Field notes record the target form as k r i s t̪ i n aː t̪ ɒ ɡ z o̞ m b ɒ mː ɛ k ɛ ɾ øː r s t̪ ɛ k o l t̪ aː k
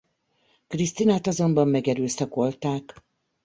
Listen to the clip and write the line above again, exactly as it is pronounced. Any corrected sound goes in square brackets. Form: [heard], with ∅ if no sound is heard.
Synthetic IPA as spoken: k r i s t̪ i n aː t̪ ɒ [∅] z o̞ m b ɒ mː ɛ [ɡ] ɛ ɾ øː [∅] s t̪ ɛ k o l t̪ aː k

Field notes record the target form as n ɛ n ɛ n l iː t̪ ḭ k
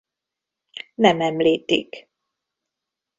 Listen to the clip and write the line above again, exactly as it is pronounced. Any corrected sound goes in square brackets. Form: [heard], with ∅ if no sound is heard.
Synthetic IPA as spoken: n ɛ [m] ɛ [m] l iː t̪ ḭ k

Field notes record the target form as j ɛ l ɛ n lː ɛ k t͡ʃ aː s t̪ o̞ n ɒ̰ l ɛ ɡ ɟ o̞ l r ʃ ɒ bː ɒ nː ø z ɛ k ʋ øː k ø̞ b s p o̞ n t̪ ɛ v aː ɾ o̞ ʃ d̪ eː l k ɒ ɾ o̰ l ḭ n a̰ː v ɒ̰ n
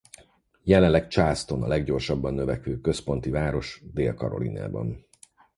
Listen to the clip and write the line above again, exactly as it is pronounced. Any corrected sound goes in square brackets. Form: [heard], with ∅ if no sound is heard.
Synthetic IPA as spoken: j ɛ l ɛ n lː ɛ k t͡ʃ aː s t̪ o̞ n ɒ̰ l ɛ ɡ ɟ o̞ [∅] r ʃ ɒ bː ɒ nː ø [v] ɛ k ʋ øː k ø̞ [∅] s p o̞ n t̪ [i] v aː ɾ o̞ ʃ d̪ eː l k ɒ ɾ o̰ l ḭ n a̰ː [b] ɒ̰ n

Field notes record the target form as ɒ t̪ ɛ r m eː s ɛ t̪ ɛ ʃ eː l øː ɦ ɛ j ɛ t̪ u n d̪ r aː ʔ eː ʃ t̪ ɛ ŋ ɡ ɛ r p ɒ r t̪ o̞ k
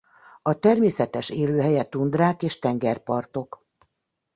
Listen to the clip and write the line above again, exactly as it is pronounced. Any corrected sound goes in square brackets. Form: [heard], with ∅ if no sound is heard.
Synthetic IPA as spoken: ɒ t̪ ɛ r m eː s ɛ t̪ ɛ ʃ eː l øː ɦ ɛ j ɛ t̪ u n d̪ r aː [k] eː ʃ t̪ ɛ ŋ ɡ ɛ r p ɒ r t̪ o̞ k

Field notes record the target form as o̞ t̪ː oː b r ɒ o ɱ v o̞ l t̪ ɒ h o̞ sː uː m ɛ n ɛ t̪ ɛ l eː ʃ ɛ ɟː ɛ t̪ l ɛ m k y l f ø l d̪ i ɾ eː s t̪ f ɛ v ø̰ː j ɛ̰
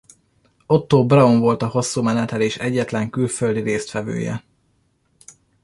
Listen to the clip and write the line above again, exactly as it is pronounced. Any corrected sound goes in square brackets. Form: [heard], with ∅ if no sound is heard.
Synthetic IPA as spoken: o̞ t̪ː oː b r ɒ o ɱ v o̞ l t̪ ɒ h o̞ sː uː m ɛ n ɛ t̪ ɛ l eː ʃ ɛ ɟː ɛ t̪ l ɛ [ŋ] k y l f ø l d̪ i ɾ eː s t̪ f ɛ v ø̰ː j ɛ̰

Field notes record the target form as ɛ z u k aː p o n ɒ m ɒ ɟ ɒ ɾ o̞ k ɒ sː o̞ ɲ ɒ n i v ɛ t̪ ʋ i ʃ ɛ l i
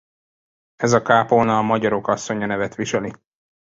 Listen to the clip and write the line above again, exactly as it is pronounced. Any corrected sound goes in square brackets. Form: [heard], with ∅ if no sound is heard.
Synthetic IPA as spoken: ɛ z [ɒ] k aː p o n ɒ m ɒ ɟ ɒ ɾ o̞ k ɒ sː o̞ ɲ ɒ n [ɛ] v ɛ t̪ ʋ i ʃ ɛ l i

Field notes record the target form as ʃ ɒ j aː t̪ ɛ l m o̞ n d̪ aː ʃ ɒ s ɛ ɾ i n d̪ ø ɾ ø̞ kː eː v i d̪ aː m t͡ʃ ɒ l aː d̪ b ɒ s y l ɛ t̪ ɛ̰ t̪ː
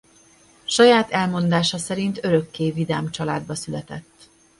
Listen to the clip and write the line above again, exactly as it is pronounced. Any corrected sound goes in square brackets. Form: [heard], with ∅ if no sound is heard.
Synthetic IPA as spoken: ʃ ɒ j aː t̪ ɛ l m o̞ n d̪ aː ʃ ɒ s ɛ ɾ i n [t̪] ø ɾ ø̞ kː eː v i d̪ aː m t͡ʃ ɒ l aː d̪ b ɒ s y l ɛ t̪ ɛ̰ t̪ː

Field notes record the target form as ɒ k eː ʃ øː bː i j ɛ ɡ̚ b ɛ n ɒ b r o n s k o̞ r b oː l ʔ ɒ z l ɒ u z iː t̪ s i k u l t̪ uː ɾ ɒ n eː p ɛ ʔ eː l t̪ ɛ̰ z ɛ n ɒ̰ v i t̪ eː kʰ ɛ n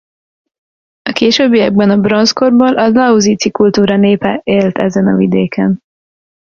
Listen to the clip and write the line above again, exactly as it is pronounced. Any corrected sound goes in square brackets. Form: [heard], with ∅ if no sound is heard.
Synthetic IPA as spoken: ɒ k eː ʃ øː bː i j ɛ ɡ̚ b ɛ n ɒ b r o n s k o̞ r b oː l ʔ ɒ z l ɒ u z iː t̪ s i k u l t̪ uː ɾ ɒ n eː p ɛ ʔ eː l t̪ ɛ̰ z ɛ n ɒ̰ v i [d̪] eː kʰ ɛ n

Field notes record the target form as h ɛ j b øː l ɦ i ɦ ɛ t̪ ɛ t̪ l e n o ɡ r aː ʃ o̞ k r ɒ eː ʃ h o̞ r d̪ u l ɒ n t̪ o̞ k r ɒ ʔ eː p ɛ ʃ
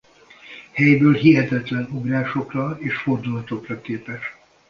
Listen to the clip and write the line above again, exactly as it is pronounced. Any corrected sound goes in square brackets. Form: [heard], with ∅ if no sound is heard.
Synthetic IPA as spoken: h ɛ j b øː l ɦ i ɦ ɛ t̪ ɛ t̪ l [ɛ] n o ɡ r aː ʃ o̞ k r ɒ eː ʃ [f] o̞ r d̪ u l ɒ [∅] t̪ o̞ k r ɒ [k] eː p ɛ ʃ

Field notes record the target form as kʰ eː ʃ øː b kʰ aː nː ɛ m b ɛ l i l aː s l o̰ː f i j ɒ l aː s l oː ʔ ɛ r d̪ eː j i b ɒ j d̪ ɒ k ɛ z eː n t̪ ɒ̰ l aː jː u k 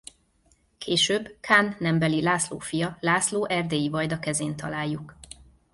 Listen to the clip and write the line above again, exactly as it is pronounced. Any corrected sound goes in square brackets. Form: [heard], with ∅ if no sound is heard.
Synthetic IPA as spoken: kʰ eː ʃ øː b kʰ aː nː ɛ m b ɛ l i l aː s l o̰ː f i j ɒ l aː s l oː ʔ ɛ r d̪ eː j i [v] ɒ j d̪ ɒ k ɛ z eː n t̪ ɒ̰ l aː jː u k

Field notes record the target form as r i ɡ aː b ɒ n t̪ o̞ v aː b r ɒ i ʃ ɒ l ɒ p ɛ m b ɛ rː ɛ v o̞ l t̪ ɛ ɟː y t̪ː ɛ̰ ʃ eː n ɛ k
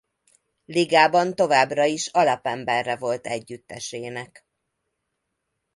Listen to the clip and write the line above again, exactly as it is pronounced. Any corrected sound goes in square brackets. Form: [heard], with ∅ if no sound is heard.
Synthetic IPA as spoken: [l] i ɡ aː b ɒ n t̪ o̞ v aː b r ɒ i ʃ ɒ l ɒ p ɛ m b ɛ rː ɛ v o̞ l t̪ ɛ ɟː y t̪ː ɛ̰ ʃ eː n ɛ k

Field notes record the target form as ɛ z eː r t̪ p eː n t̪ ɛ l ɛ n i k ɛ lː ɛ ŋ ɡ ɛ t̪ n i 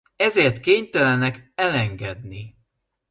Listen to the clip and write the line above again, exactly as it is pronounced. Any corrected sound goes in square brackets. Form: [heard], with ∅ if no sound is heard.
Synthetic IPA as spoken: ɛ z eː r t̪ [k] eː [ɲ] t̪ ɛ l ɛ n [ɛ] k ɛ [l] ɛ ŋ ɡ ɛ [d̪] n i

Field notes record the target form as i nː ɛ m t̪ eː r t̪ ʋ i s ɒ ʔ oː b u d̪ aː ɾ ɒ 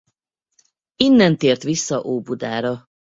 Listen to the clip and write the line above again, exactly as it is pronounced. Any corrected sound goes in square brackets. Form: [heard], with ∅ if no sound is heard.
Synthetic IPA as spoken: i nː ɛ [n] t̪ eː r t̪ ʋ i [sː] ɒ ʔ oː b u d̪ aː ɾ ɒ

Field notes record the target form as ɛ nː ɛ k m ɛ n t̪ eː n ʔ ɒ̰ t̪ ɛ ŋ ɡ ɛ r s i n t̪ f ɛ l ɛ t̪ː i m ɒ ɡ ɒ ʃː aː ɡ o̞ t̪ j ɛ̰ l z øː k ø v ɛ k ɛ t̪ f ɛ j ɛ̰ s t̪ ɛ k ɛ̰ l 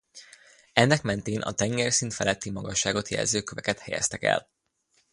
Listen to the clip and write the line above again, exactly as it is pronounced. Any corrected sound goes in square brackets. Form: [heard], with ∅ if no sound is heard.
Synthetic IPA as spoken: ɛ nː ɛ k m ɛ n t̪ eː n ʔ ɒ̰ t̪ ɛ ŋ ɡ ɛ r s i n t̪ f ɛ l ɛ t̪ː i m ɒ ɡ ɒ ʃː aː ɡ o̞ t̪ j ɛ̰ l z øː k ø v ɛ k ɛ t̪ [h] ɛ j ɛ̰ s t̪ ɛ k ɛ̰ l

